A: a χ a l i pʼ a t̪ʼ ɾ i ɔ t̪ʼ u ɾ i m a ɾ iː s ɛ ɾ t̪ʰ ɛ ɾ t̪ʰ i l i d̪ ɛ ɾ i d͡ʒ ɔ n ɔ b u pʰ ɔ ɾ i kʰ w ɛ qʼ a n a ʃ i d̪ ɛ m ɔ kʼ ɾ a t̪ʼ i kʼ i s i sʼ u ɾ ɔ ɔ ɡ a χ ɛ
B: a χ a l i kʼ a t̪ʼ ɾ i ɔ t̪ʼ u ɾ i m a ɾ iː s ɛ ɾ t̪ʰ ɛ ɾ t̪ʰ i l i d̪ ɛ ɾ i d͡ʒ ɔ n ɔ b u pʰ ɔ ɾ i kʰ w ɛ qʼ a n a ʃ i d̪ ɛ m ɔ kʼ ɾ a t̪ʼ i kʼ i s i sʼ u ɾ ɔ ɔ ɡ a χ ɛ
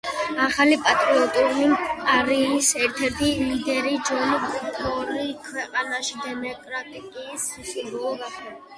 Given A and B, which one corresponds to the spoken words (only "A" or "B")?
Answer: A